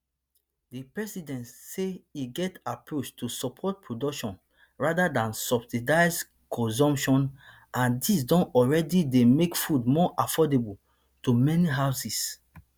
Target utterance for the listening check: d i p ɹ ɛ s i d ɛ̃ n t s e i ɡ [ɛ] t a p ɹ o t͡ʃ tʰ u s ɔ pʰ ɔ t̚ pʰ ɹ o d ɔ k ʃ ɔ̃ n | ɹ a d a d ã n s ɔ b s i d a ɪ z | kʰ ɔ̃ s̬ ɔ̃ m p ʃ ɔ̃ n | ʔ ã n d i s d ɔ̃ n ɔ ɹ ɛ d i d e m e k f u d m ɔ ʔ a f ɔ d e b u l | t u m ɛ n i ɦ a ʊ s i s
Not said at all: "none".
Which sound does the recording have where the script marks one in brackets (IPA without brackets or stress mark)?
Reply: ɛ